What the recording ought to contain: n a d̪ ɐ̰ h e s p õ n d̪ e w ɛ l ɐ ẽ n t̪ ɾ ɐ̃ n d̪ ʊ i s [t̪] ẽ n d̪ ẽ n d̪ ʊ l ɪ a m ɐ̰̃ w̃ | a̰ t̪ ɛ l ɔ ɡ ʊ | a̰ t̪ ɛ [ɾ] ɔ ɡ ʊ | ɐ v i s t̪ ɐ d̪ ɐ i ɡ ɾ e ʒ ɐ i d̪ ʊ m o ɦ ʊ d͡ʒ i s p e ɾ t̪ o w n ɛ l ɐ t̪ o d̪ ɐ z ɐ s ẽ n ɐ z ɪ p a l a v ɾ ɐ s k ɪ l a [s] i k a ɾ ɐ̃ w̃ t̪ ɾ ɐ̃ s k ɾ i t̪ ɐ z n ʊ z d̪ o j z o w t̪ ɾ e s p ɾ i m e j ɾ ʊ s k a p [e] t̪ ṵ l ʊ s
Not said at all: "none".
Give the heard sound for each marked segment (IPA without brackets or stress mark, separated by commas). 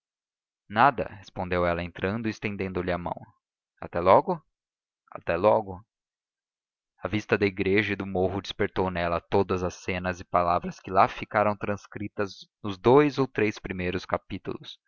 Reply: t̪, l, f, i